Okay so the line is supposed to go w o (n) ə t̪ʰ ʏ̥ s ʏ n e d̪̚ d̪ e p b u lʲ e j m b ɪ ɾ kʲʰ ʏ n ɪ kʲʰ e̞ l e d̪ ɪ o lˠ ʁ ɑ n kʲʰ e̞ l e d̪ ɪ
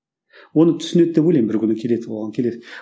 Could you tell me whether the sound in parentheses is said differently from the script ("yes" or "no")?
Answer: no